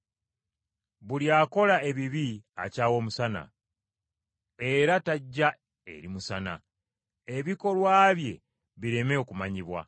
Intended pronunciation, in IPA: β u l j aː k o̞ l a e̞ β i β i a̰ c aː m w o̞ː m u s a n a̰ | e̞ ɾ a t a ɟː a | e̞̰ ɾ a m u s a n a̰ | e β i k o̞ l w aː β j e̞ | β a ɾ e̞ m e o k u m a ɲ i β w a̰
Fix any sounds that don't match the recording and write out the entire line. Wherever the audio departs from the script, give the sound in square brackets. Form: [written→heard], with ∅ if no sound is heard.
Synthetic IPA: β u l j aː k o̞ l a e̞ β i β i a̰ c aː [m→∅] w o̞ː m u s a n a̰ | e̞ ɾ a t a ɟː a | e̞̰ ɾ [a→i] m u s a n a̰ | e β i k o̞ l w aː β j e̞ | β [a→i] ɾ e̞ m e o k u m a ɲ i β w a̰